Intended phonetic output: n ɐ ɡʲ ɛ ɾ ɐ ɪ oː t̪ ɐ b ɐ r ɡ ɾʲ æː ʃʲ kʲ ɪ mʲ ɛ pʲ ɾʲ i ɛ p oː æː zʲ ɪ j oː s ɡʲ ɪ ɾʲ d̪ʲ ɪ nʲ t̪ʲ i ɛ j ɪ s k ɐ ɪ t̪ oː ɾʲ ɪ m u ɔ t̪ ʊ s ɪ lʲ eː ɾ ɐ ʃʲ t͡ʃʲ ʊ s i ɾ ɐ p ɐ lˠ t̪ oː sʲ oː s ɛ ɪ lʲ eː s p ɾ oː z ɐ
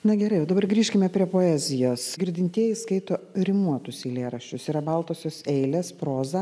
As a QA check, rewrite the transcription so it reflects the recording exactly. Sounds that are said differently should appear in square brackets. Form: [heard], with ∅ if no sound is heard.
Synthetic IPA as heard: n ɐ ɡʲ ɛ ɾ ɐ ɪ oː [d̪] ɐ b ɐ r ɡ ɾʲ [iː] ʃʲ kʲ ɪ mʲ ɛ pʲ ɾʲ i ɛ p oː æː zʲ ɪ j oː s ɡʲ ɪ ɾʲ d̪ʲ ɪ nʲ t̪ʲ i ɛ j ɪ s k ɐ ɪ t̪ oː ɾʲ ɪ m u ɔ t̪ ʊ s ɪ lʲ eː ɾ ɐ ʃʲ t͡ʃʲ ʊ s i ɾ ɐ [b] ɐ lˠ t̪ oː sʲ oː s ɛ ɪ lʲ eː s p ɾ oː z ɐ